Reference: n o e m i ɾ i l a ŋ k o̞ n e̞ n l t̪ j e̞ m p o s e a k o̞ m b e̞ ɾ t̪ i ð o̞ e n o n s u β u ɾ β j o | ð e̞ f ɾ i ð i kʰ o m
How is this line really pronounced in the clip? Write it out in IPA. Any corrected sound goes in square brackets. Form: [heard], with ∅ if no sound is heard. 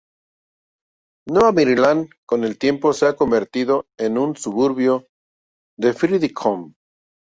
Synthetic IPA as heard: n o [a] m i ɾ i l a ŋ k o̞ n e̞ [∅] l t̪ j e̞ m p o s e a k o̞ m b e̞ ɾ t̪ i ð o̞ e n [u] n s u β u ɾ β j o | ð e̞ f ɾ i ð i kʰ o m